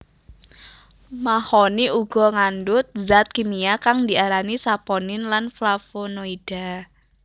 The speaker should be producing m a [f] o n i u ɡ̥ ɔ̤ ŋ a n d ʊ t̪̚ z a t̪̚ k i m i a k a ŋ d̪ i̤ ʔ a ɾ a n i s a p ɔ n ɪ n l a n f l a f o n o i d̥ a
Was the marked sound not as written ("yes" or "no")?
yes